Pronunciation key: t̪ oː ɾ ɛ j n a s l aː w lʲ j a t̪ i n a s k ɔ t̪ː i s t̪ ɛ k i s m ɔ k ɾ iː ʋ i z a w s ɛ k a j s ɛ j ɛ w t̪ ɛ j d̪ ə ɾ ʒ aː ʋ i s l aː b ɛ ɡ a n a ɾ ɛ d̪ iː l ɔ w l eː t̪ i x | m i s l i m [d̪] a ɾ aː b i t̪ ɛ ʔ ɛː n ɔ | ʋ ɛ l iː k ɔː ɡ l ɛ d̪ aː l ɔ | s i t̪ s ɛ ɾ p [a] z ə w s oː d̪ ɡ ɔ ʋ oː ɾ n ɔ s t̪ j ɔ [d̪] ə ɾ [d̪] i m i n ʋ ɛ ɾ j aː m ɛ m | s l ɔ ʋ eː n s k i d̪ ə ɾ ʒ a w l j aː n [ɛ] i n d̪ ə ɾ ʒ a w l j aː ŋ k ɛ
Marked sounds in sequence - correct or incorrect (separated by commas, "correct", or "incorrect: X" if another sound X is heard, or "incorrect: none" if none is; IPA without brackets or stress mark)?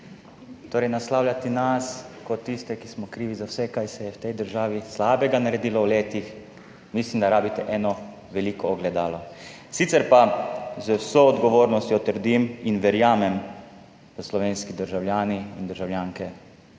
correct, correct, incorrect: t̪, correct, incorrect: i